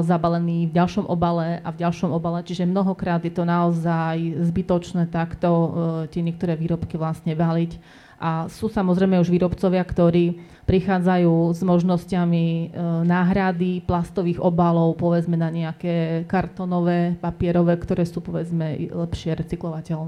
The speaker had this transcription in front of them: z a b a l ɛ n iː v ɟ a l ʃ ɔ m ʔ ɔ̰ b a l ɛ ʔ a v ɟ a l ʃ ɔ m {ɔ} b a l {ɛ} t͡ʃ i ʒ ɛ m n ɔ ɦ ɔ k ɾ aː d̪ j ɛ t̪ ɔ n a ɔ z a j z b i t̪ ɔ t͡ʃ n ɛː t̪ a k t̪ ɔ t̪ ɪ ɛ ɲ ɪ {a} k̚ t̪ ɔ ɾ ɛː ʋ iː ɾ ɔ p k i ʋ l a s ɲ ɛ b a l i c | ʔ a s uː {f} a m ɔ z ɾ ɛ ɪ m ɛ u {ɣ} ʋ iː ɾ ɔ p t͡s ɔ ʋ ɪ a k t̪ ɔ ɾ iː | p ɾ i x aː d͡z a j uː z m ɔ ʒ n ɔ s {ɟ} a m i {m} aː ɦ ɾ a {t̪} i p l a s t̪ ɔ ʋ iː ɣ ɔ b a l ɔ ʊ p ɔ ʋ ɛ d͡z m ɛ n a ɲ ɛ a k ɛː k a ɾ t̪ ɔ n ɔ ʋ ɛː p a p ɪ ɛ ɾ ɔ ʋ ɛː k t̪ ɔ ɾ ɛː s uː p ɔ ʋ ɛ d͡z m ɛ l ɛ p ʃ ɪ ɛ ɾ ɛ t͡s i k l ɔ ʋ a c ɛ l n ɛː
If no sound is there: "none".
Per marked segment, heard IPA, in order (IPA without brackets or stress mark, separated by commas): ɔ, ɛ, ɛ, s, ʒ, c, n, d̪